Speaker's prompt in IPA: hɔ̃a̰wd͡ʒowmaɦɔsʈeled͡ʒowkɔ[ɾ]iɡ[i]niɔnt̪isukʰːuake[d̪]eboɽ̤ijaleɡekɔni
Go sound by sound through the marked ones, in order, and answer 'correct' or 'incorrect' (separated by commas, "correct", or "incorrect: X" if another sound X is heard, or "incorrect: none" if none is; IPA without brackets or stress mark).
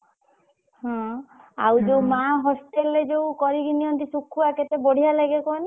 correct, correct, incorrect: t̪